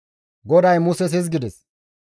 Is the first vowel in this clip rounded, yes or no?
yes